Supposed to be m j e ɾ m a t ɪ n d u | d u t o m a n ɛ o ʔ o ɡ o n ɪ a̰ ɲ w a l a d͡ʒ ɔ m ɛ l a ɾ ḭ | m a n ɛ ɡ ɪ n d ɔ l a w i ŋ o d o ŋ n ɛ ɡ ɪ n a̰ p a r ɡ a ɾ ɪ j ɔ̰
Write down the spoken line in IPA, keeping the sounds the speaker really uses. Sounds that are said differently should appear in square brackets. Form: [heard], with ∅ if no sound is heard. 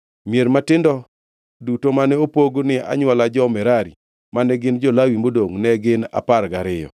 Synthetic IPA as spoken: m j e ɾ m a t ɪ n d [ɔ] | d u t o m a n ɛ o [p] o ɡ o n ɪ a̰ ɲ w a l a d͡ʒ ɔ m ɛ [ɾ] a ɾ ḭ | m a n ɛ ɡ ɪ n [d͡ʒ] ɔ l a w i [m] o d o ŋ n ɛ ɡ ɪ n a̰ p a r ɡ a ɾ ɪ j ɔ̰